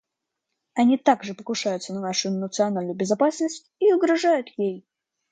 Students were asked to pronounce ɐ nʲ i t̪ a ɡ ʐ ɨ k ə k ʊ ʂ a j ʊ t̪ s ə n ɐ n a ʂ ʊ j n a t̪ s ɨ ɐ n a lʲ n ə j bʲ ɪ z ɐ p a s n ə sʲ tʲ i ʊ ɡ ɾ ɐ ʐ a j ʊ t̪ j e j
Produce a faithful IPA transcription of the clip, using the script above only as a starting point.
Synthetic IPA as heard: ɐ nʲ i t̪ a ɡ ʐ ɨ p ə k ʊ ʂ a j ʊ t̪ s ə n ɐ n a ʂ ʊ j n ə t̪ s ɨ ɐ n a lʲ n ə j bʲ ɪ z ɐ p a s n ə sʲ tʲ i ʊ ɡ ɾ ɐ ʐ a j ʊ t̪ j e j